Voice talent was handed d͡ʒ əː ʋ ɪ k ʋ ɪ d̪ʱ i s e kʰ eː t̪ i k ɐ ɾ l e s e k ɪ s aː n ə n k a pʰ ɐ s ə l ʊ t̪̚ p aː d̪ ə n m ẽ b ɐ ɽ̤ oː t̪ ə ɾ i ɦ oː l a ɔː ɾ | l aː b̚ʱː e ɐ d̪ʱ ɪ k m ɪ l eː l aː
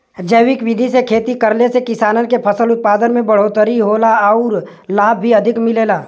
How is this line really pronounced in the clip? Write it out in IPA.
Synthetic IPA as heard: d͡ʒ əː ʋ ɪ k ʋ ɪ d̪ʱ i s e kʰ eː t̪ i k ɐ ɾ l e s e k ɪ s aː n ə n k e pʰ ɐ s ə l ʊ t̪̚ p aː d̪ ə n m ẽ b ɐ ɽ̤ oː t̪ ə ɾ i ɦ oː l a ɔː ɾ | l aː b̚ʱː i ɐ d̪ʱ ɪ k m ɪ l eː l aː